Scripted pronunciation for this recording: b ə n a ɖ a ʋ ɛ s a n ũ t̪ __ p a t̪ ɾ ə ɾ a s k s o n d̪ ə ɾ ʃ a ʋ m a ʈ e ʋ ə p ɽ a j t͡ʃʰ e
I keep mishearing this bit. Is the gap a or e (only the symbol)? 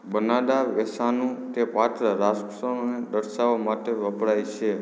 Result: e